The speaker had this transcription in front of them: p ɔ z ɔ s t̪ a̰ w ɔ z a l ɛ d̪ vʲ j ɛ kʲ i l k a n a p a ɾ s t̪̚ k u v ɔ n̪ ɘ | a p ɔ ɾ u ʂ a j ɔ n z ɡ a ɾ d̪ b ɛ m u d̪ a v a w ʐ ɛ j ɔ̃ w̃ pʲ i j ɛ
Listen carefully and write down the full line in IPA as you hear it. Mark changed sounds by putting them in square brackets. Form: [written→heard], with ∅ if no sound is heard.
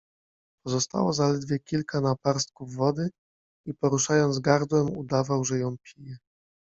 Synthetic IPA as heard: p ɔ z ɔ s t̪ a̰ w ɔ z a l ɛ d̪ vʲ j ɛ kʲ i l k a n a p a ɾ s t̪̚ k u [v→vː] ɔ [n̪→d̪] ɘ | [a→i] p ɔ ɾ u ʂ a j ɔ n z ɡ a ɾ d̪ [b→w] ɛ m u d̪ a v a w ʐ ɛ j ɔ̃ w̃ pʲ i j ɛ